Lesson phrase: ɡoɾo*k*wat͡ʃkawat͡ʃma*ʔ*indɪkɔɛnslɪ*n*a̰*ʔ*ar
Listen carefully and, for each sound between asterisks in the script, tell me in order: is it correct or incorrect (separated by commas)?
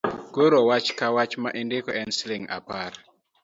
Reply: incorrect, correct, incorrect, incorrect